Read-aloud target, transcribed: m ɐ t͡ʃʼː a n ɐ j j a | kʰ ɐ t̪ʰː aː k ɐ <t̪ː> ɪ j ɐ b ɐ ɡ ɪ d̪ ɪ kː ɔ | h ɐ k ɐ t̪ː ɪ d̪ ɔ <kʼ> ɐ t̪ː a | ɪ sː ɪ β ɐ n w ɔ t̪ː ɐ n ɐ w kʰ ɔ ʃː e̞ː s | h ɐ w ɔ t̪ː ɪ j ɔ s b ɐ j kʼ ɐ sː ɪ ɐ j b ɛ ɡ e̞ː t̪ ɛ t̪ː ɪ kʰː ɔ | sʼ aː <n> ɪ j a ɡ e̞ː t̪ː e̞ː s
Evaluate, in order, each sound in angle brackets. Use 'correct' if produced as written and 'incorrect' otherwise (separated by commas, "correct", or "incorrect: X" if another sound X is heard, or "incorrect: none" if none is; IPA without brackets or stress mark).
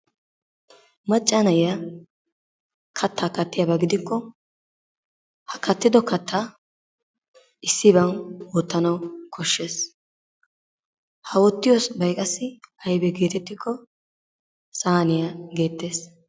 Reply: correct, incorrect: k, correct